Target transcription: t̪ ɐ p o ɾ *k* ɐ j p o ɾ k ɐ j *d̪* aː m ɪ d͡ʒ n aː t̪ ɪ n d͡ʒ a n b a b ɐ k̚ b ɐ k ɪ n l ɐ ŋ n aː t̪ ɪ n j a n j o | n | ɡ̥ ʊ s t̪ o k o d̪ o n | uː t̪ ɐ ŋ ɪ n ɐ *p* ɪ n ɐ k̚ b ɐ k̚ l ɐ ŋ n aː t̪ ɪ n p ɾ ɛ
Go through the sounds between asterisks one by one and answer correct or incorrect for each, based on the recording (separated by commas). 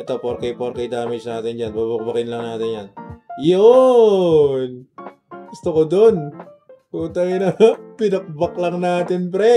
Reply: correct, correct, correct